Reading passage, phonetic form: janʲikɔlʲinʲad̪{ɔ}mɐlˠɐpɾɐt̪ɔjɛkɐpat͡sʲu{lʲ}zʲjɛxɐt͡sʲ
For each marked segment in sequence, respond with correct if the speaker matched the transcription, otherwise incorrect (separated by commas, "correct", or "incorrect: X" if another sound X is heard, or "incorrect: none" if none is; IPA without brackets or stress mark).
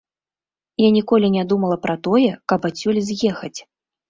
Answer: incorrect: u, correct